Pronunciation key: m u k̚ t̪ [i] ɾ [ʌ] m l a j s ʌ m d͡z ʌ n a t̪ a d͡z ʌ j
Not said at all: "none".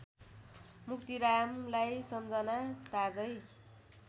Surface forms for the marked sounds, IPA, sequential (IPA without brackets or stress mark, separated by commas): i, a